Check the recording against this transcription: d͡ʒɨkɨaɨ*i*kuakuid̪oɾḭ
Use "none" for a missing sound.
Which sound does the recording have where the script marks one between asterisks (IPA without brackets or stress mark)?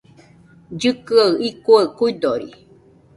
i